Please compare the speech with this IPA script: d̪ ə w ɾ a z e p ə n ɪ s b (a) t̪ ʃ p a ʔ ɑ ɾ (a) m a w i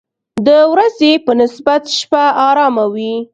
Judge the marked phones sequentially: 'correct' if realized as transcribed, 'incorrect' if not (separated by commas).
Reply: correct, incorrect